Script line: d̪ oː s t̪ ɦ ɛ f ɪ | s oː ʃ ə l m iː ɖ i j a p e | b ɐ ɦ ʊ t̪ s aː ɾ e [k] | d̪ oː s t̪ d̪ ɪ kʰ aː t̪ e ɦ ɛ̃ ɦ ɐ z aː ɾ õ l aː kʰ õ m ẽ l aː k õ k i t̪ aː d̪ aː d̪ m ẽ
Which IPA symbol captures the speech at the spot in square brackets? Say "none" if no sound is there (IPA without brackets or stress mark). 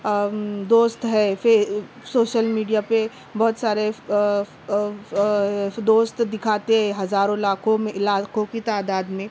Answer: none